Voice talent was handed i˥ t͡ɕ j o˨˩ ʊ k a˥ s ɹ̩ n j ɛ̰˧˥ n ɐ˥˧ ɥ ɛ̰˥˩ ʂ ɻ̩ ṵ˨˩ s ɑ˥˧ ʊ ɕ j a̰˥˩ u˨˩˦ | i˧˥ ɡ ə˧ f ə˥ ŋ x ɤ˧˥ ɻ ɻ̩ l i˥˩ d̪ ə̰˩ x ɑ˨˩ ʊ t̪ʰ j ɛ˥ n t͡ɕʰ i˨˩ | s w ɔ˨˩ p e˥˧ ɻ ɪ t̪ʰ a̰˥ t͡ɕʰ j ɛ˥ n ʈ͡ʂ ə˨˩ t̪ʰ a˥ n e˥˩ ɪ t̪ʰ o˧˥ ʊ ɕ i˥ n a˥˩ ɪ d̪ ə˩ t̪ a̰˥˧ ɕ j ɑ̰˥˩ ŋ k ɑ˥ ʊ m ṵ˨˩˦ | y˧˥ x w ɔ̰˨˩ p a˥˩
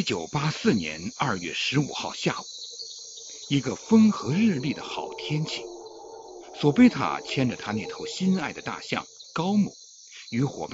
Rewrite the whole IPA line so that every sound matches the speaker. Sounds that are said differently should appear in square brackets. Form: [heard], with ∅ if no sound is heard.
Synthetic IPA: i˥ t͡ɕ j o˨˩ ʊ [p] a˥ s ɹ̩ n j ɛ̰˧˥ n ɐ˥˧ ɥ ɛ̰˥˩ ʂ ɻ̩ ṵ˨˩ [x] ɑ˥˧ ʊ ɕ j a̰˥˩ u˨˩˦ | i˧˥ ɡ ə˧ f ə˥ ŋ x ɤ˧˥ ɻ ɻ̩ l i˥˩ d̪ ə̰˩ x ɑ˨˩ ʊ t̪ʰ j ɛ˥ n t͡ɕʰ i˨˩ | s w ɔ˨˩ p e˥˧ [∅] ɪ t̪ʰ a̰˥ t͡ɕʰ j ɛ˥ n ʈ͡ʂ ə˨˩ t̪ʰ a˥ n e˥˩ ɪ t̪ʰ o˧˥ ʊ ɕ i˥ n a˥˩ ɪ d̪ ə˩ t̪ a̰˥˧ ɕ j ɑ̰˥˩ ŋ k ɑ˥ ʊ m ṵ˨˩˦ | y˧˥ x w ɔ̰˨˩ p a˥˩